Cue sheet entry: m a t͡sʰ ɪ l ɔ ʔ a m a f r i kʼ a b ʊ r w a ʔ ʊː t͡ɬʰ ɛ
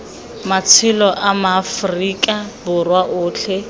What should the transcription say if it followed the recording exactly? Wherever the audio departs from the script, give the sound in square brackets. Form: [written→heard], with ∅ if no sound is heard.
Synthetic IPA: m a t͡sʰ ɪ l ɔ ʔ a m a f r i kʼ a b ʊ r w a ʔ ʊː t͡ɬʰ ɛ